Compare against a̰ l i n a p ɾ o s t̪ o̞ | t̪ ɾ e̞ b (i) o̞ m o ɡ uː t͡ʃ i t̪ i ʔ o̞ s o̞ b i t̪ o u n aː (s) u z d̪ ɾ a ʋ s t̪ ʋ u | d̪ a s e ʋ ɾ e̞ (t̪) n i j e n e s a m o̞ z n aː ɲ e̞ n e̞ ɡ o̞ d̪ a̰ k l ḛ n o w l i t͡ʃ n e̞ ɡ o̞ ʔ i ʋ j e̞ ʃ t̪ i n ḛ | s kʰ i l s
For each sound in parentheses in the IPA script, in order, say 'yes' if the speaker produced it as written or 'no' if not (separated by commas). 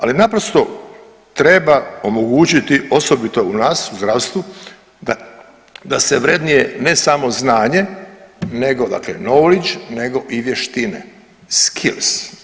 no, yes, no